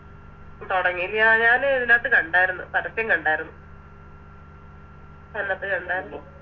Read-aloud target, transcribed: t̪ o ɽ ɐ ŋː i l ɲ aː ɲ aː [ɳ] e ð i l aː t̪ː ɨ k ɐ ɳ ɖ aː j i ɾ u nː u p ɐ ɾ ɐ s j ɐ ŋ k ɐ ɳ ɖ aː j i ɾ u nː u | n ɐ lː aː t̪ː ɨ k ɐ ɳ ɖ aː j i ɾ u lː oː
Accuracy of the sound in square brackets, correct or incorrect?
incorrect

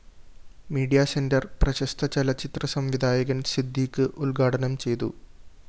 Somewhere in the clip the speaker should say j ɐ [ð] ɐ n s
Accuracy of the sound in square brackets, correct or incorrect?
incorrect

